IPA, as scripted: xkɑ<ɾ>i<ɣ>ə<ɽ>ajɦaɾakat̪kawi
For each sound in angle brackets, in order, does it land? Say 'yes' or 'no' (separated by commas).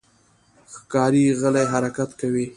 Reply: yes, yes, no